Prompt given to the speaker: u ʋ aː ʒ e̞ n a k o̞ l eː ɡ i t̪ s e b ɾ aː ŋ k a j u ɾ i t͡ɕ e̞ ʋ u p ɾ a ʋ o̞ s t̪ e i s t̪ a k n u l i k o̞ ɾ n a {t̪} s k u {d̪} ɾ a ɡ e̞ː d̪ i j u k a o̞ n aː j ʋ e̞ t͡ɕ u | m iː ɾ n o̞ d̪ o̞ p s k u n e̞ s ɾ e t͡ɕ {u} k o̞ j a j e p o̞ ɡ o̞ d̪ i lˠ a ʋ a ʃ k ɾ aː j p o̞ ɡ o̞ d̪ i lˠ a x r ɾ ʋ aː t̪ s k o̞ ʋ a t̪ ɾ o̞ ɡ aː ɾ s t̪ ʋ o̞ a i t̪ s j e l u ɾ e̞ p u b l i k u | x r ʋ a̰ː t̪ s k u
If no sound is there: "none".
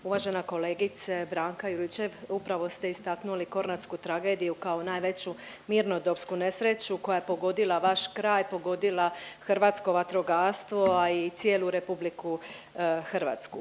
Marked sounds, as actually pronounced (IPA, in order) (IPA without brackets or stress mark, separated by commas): t̪, t̪, u